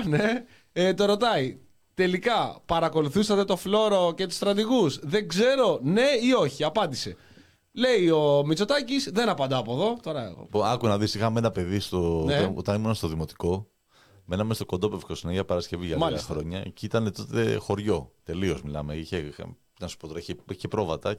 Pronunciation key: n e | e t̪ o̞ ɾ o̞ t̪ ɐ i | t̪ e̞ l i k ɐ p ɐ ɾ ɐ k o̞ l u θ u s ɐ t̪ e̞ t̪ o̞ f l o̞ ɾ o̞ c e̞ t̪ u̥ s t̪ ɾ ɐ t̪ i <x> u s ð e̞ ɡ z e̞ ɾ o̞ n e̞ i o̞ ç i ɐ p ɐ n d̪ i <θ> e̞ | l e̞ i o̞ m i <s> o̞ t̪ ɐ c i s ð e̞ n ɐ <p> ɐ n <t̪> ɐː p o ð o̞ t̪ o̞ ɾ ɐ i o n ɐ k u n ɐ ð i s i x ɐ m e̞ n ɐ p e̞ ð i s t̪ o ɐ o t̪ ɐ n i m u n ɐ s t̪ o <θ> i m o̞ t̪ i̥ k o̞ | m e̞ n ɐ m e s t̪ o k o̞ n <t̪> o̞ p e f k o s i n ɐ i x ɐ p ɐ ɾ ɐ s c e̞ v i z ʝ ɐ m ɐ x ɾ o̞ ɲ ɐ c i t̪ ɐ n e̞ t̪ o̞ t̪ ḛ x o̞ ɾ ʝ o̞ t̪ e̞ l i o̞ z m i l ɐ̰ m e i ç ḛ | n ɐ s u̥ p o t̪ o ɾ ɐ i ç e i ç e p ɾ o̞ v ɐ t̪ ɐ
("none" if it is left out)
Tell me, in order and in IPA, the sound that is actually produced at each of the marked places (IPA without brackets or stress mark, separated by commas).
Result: ɣ, s, t͡s, p, d̪, ð, d̪